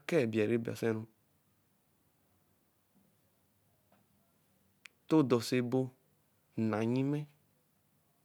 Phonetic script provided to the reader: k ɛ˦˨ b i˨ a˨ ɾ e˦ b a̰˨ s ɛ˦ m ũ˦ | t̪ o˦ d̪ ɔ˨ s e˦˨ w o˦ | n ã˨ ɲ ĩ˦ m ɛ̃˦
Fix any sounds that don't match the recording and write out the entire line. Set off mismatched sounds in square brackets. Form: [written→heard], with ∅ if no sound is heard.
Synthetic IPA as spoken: k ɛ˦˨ b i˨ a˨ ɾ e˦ b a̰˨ s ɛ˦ [m→n] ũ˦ | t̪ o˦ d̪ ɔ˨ s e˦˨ [w→b] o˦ | n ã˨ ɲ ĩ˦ m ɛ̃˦